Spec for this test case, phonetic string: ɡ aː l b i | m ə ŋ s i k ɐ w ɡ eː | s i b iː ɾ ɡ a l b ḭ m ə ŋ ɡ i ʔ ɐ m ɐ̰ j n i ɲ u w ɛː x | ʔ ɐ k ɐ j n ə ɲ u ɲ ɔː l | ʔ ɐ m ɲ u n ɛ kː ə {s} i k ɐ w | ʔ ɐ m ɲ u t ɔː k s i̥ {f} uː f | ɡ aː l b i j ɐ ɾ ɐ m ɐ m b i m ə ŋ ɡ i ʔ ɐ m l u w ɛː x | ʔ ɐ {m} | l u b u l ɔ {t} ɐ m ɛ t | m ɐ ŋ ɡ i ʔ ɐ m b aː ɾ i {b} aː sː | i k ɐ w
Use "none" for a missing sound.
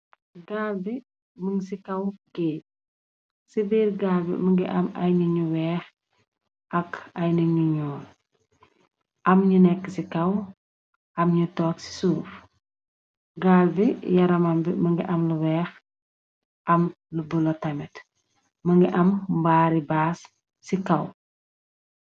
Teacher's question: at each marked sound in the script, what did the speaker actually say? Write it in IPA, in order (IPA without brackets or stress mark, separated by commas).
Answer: s, s, m, t, b